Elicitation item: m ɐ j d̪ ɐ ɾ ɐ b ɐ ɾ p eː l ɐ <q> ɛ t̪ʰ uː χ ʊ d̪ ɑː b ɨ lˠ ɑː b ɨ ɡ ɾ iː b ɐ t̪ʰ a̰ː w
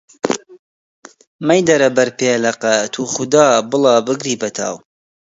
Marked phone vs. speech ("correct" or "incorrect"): correct